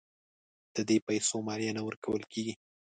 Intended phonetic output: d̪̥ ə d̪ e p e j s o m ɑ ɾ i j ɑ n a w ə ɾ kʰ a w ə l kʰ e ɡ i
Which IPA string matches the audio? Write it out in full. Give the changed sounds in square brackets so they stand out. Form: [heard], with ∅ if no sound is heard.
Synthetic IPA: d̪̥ ə d̪ e p [a] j s o m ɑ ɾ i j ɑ n a w ə ɾ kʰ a w ə l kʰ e ɡ i